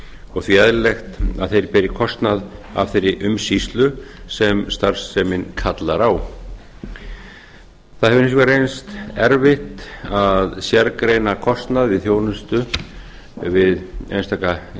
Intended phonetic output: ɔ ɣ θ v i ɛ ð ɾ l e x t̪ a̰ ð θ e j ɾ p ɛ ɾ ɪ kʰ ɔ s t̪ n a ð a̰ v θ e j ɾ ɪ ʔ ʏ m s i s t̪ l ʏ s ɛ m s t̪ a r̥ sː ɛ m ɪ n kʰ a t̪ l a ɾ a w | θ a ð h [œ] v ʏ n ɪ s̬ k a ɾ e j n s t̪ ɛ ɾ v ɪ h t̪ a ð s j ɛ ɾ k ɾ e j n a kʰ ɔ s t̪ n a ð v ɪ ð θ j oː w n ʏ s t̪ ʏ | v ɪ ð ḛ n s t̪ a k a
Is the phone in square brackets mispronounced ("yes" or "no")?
yes